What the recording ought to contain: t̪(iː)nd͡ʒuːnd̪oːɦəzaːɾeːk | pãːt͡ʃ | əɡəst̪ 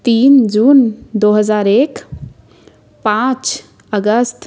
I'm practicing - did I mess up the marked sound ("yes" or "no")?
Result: no